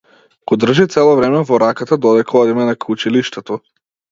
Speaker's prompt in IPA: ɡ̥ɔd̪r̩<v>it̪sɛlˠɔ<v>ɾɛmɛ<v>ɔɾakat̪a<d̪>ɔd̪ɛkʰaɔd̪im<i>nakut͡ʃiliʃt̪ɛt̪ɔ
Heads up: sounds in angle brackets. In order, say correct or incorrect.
incorrect: ʒ, correct, correct, correct, incorrect: ɛ

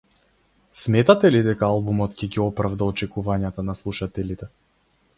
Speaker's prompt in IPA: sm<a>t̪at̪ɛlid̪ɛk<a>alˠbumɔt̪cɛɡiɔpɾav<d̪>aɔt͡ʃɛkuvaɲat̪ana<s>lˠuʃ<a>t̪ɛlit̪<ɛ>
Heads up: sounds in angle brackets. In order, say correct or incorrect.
incorrect: ɛ, correct, correct, correct, correct, correct

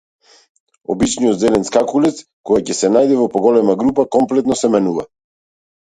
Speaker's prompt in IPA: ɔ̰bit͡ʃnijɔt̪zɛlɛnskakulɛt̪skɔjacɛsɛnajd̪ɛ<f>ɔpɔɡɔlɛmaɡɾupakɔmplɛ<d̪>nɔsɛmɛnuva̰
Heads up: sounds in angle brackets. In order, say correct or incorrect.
incorrect: v, incorrect: t̪

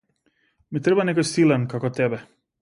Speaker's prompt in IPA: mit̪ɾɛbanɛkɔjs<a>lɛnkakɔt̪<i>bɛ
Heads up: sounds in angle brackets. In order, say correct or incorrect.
incorrect: i, incorrect: ɛ

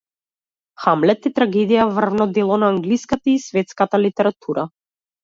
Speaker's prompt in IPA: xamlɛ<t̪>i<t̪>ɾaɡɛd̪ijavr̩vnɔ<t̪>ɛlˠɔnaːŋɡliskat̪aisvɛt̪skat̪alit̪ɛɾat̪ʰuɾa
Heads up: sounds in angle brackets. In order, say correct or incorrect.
correct, correct, incorrect: d̪

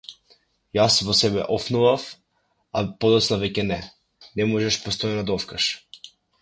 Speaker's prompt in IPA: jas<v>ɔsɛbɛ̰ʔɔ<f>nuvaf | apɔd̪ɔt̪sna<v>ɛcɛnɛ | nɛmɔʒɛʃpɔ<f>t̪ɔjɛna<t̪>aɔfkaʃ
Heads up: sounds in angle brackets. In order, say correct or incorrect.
correct, correct, correct, incorrect: s, incorrect: d̪

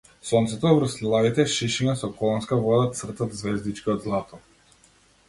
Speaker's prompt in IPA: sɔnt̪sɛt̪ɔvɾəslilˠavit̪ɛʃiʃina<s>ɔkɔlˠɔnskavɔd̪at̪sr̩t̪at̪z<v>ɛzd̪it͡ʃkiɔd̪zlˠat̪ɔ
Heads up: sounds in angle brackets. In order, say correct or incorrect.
correct, correct

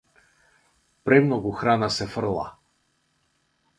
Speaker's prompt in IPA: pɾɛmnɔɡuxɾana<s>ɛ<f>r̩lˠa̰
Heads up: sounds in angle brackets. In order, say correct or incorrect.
correct, correct

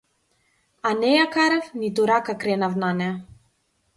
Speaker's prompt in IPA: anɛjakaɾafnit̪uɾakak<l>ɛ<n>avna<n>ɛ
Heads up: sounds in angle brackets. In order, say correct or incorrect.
incorrect: ɾ, correct, correct

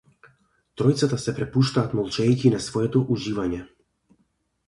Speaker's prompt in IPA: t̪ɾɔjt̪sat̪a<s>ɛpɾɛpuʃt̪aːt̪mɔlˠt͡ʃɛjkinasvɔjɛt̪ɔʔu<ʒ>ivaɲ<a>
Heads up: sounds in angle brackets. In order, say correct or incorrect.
correct, correct, incorrect: ɛ

